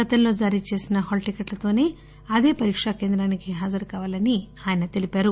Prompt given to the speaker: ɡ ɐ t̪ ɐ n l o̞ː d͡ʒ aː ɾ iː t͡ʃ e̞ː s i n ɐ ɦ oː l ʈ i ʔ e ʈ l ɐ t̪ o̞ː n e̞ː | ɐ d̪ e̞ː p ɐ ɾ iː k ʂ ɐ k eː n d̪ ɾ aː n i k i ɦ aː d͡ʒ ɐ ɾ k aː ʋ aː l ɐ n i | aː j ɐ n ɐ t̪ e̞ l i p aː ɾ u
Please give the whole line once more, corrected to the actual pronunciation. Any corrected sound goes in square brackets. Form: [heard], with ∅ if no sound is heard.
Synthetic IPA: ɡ ɐ t̪ ɐ n l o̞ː d͡ʒ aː ɾ iː t͡ʃ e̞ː s i n ɐ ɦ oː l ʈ i [k] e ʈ l ɐ t̪ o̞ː n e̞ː | ɐ d̪ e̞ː p ɐ ɾ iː k ʂ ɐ k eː n d̪ ɾ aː n i k i ɦ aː d͡ʒ ɐ ɾ k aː ʋ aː l ɐ n i | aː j ɐ n ɐ t̪ e̞ l i p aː ɾ u